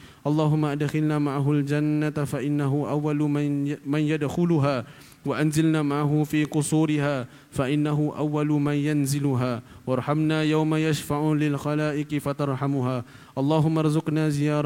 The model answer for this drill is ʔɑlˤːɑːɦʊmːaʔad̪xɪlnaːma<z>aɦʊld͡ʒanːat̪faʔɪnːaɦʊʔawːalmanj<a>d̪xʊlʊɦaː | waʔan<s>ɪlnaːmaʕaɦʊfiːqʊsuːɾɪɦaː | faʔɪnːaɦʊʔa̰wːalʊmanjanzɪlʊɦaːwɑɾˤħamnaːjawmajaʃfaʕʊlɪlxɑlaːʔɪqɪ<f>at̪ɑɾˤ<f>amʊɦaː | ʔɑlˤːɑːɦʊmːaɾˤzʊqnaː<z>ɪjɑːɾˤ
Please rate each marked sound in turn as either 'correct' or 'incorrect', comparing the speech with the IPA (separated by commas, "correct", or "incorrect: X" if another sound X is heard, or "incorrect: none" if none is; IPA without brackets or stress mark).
incorrect: ʕ, correct, incorrect: z, correct, incorrect: ħ, correct